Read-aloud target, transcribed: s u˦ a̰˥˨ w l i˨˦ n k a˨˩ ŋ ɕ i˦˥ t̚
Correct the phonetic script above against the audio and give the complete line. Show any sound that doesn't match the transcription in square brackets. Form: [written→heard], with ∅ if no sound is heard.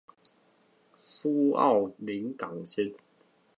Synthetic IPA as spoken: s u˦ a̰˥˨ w l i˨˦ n k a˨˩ ŋ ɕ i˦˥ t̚